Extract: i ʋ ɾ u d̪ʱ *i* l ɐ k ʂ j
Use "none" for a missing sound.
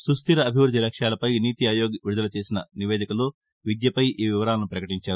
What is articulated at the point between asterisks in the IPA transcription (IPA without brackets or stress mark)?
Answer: i